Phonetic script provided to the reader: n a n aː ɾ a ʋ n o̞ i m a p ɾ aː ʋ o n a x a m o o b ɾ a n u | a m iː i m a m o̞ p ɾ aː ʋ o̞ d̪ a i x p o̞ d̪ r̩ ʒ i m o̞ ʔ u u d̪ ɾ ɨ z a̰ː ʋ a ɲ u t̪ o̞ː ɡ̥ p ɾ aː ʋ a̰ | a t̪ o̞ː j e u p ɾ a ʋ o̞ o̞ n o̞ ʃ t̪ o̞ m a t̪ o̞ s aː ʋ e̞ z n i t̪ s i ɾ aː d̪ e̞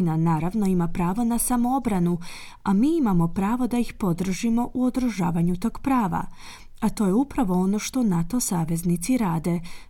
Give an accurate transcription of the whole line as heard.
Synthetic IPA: n a n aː ɾ a ʋ n o̞ i m a p ɾ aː ʋ o n a s a m o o b ɾ a n u | a m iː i m a m o̞ p ɾ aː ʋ o̞ d̪ a i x p o̞ d̪ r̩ ʒ i m o̞ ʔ u o d̪ ɾ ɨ ʒ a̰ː ʋ a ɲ u t̪ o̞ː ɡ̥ p ɾ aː ʋ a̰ | a t̪ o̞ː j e u p ɾ a ʋ o̞ o̞ n o̞ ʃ t̪ o̞ n a t̪ o̞ s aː ʋ e̞ z n i t̪ s i ɾ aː d̪ e̞